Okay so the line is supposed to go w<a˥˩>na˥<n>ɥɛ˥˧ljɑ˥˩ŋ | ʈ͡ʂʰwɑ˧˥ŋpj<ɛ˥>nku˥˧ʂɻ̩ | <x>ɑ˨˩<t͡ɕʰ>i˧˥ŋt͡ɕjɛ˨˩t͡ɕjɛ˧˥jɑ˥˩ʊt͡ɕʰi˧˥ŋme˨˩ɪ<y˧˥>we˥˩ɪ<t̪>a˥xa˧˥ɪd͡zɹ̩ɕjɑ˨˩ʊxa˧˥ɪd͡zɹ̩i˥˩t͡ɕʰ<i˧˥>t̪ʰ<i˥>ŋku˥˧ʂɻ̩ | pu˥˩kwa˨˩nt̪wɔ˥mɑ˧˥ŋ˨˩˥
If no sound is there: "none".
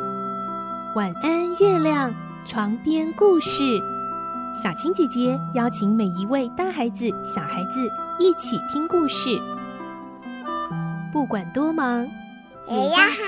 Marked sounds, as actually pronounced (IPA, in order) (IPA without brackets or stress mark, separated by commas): a˨˩, n, ɛ˥, ɕ, t͡ɕʰ, i˧˥, t̪, i˨˩, i˥